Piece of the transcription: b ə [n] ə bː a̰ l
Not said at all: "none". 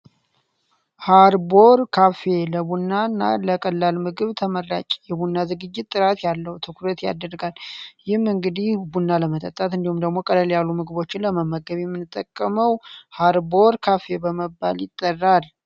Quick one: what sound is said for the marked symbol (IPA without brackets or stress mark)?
m